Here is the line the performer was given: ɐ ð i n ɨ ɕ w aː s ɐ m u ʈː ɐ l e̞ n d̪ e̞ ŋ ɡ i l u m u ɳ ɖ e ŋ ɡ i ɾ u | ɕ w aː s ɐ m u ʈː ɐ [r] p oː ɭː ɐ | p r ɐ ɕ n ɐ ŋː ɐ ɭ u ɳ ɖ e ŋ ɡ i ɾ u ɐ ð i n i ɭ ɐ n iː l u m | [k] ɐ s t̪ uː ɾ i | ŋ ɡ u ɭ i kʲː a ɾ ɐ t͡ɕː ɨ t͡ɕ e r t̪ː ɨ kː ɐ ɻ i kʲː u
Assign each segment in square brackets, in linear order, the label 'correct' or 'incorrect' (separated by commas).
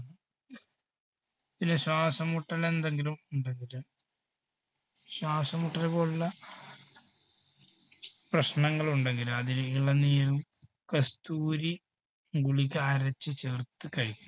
incorrect, correct